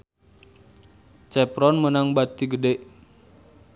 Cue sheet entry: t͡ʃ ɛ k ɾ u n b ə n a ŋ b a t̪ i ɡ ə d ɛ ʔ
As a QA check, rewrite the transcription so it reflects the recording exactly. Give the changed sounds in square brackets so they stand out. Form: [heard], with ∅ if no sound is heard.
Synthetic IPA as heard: t͡ʃ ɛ [p] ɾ [ɔ] n [m] ə n a ŋ b a t̪ i ɡ ə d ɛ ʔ